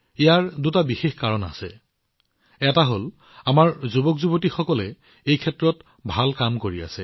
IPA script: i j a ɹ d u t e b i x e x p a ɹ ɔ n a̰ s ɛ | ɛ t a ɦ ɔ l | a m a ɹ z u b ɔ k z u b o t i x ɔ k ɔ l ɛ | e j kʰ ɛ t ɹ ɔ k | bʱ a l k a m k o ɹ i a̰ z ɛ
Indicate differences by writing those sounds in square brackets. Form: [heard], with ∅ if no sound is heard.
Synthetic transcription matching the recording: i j a ɹ d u t [a] b i x e x [k] a ɹ ɔ n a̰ s ɛ | ɛ t a ɦ [o] l | a m a ɹ z u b ɔ k z u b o t i x ɔ k ɔ l ɛ | e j kʰ ɛ t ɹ ɔ [t] | bʱ a l k a m k o ɹ i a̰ [s] ɛ